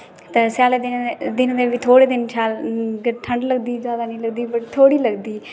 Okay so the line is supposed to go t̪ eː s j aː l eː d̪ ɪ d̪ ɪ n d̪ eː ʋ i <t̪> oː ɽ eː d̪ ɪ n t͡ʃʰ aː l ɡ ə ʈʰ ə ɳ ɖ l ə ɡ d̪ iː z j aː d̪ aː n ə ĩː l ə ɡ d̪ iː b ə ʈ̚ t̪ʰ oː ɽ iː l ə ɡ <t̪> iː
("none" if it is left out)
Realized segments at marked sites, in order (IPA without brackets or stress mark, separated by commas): t̪ʰ, d̪